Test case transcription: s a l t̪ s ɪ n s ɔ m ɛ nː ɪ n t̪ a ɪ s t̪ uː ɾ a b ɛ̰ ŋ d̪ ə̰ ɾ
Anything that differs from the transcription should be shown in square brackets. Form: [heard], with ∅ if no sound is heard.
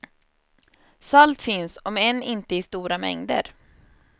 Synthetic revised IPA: s a l t̪ [f] ɪ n s ɔ m ɛ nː ɪ n t̪ [ə] ɪ s t̪ uː ɾ a [m] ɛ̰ ŋ d̪ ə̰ ɾ